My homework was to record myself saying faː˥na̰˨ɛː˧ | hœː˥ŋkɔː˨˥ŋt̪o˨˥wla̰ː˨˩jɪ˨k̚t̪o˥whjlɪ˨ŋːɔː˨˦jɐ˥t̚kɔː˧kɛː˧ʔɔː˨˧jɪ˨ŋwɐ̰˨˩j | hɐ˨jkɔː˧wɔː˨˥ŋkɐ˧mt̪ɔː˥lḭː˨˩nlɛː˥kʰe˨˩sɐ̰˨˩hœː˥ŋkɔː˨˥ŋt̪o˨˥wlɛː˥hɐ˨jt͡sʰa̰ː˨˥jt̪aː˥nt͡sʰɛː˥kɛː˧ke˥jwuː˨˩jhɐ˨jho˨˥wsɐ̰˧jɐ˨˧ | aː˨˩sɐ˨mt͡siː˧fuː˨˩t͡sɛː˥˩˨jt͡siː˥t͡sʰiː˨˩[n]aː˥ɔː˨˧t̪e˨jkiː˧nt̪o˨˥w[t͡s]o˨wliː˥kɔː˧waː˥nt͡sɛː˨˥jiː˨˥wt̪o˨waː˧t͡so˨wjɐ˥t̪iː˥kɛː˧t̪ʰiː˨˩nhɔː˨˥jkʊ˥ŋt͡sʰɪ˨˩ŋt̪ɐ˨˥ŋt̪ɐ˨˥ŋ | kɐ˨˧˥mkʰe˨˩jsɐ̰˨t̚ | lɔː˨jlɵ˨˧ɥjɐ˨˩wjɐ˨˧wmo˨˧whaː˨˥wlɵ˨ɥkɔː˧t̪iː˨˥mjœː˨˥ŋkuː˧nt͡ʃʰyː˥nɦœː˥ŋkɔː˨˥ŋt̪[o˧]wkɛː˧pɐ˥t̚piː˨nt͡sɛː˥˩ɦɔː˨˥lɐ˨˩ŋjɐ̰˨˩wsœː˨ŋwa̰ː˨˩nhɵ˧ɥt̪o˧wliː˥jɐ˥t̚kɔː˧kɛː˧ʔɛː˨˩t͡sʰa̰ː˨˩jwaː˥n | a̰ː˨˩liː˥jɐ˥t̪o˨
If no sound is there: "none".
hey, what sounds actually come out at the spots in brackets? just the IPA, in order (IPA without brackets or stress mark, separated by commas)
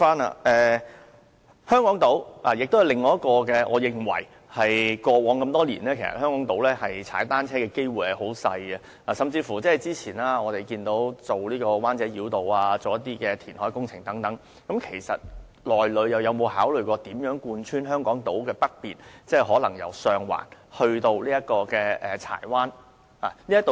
n, t͡s, o˨˥